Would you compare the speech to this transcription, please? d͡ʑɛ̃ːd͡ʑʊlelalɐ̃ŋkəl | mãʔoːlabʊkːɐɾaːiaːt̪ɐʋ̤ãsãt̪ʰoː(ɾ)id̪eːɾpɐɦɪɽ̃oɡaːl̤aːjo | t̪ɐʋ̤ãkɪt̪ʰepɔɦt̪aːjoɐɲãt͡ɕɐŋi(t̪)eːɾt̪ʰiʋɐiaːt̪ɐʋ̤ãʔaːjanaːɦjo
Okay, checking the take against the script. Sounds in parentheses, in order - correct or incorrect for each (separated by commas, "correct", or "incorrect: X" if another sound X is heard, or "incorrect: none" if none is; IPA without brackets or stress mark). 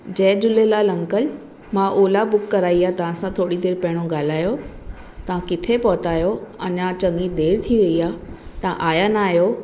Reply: incorrect: ɽ, incorrect: d̪